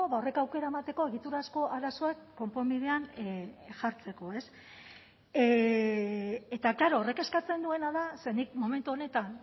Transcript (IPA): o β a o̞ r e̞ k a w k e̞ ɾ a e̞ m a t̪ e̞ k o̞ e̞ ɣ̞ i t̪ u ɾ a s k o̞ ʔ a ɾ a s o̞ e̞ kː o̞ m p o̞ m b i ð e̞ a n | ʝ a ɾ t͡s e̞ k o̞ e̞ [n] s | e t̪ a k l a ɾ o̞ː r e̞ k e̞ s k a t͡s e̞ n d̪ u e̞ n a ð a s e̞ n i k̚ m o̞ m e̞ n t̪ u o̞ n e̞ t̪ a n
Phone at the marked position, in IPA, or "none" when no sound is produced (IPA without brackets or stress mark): none